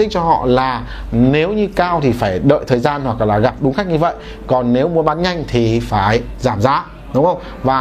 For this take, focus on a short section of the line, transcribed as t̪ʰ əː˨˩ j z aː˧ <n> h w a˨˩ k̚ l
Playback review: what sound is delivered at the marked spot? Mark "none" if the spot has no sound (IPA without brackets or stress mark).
n